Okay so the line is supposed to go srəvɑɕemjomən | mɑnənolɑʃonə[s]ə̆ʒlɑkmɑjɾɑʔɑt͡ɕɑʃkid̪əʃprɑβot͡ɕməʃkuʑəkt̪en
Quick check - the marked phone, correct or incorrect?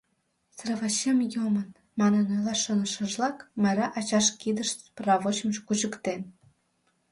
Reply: incorrect